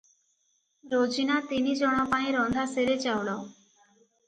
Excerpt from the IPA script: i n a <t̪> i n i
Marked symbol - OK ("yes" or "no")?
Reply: yes